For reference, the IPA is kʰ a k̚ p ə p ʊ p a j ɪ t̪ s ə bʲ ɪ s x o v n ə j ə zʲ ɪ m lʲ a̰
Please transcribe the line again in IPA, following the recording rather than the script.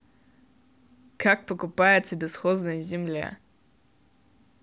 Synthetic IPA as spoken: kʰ a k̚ p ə k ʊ p a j ɪ t̪ s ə bʲ ɪ s x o z n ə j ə zʲ ɪ m lʲ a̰